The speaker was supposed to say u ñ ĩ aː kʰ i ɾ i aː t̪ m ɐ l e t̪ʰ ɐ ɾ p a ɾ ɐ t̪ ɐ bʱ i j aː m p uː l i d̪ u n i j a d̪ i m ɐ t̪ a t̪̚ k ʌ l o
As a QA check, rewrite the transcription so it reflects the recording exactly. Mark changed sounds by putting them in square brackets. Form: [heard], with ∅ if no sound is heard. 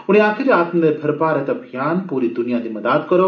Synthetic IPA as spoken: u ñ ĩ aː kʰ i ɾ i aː t̪ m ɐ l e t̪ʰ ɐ ɾ p a ɾ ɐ t̪ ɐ bʱ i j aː [n] p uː [ɾ] i d̪ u n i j a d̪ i m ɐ [d̪] a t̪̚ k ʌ [ɾ] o